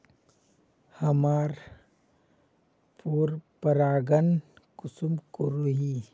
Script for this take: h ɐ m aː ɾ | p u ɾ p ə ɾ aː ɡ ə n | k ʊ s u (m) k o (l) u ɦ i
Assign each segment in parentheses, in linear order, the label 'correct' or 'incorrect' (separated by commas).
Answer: correct, incorrect